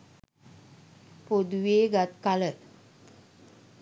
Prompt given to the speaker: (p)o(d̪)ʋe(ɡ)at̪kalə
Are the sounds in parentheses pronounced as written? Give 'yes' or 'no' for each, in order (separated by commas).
yes, yes, yes